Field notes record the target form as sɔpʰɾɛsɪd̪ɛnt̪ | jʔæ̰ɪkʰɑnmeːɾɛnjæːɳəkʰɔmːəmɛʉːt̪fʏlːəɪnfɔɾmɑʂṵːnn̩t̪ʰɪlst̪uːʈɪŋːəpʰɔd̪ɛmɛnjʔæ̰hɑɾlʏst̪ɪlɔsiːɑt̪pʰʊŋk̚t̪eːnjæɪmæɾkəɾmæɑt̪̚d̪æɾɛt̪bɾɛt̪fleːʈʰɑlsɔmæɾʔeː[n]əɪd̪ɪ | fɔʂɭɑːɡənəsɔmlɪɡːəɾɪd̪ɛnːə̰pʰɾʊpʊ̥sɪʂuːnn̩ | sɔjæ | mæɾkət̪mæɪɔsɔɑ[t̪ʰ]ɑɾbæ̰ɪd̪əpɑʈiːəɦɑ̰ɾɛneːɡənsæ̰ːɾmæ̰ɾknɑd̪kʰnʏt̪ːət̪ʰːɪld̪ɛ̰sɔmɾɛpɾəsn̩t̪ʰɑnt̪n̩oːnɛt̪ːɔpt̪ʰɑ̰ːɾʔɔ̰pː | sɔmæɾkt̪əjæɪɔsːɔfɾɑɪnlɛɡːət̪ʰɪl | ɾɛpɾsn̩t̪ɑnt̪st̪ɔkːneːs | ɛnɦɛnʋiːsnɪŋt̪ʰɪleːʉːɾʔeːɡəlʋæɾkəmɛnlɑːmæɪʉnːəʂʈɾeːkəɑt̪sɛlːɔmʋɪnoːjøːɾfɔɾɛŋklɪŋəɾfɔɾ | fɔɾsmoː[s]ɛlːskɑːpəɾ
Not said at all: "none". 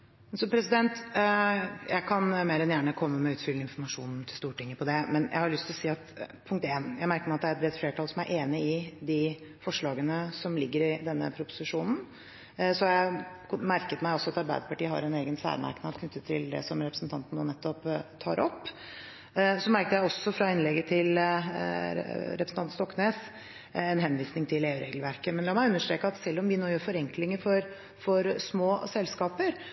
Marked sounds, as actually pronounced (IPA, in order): n, t̪, s

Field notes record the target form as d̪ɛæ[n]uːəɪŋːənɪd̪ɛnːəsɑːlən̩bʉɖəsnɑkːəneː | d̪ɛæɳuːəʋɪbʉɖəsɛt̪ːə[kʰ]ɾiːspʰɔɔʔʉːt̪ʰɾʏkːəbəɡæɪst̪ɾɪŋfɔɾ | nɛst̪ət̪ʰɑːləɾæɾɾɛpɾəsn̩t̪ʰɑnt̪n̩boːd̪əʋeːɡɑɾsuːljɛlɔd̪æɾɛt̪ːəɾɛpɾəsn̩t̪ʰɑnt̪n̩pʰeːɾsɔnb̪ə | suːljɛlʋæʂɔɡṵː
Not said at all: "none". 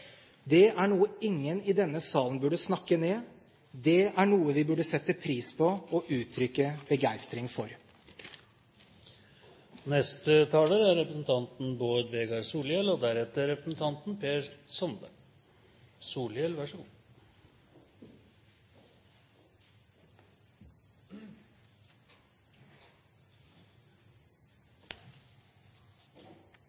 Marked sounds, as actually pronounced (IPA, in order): ɳ, pʰ

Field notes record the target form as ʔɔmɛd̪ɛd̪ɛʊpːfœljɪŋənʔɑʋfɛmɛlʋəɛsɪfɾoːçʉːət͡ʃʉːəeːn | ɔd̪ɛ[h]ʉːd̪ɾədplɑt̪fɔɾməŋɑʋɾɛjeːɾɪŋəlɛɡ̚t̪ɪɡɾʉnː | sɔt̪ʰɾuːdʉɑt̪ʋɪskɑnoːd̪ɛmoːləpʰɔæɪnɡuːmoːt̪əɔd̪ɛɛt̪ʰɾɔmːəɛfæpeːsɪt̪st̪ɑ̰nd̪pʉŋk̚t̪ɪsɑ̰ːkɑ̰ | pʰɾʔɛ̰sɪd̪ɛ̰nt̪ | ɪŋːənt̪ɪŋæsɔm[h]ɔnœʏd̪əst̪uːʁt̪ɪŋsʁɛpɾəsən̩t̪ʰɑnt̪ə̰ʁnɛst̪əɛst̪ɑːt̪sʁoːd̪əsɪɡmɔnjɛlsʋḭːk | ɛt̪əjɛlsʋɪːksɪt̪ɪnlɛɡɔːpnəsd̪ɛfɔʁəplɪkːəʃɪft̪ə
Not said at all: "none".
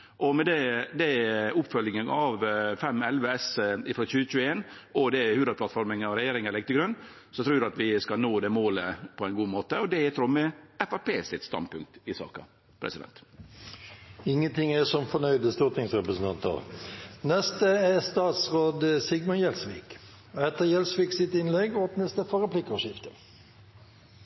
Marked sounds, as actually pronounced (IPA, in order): h, f

